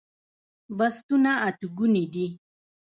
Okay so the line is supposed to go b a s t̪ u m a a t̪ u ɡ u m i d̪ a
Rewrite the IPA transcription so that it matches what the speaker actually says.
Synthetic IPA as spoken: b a s t̪ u n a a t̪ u ɡ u n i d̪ i